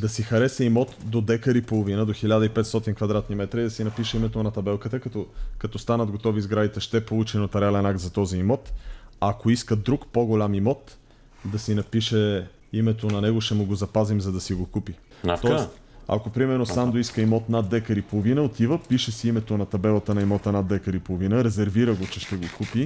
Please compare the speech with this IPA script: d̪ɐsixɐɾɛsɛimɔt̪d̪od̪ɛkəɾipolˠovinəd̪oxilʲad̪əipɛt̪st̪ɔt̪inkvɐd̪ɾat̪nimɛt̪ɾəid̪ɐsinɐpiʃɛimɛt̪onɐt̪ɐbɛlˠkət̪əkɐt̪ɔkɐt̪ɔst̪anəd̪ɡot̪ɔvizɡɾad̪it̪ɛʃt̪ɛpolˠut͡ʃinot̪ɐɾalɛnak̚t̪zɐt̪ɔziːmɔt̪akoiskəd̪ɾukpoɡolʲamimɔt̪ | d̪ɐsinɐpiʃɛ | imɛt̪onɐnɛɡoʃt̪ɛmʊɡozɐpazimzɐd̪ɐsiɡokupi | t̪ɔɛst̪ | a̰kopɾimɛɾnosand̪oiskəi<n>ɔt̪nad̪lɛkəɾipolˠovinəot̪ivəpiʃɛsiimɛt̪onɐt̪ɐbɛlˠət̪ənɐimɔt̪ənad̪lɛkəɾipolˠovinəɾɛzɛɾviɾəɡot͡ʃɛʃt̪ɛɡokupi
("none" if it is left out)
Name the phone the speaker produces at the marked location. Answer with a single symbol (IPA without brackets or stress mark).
m